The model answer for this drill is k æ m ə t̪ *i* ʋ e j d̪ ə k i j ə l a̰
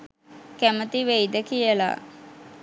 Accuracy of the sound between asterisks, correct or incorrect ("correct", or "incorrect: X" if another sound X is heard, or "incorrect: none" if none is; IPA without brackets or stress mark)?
correct